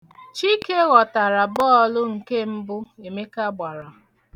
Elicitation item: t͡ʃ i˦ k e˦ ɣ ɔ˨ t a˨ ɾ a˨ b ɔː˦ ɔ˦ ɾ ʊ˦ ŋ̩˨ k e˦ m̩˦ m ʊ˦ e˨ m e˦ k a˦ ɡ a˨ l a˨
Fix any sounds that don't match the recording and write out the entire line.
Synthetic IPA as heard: t͡ʃ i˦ k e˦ ɣ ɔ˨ t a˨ ɾ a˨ b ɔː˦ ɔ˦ l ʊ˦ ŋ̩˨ k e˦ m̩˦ b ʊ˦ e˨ m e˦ k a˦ ɡ͡b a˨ ɾ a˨